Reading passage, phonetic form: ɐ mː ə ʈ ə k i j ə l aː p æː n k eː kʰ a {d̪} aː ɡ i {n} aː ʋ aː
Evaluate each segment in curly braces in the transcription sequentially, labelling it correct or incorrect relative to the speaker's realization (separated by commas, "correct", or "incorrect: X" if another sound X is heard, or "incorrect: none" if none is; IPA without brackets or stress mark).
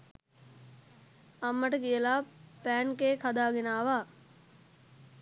correct, correct